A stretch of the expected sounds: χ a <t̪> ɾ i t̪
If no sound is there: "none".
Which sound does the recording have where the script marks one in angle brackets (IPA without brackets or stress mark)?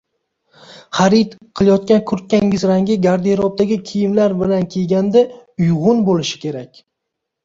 none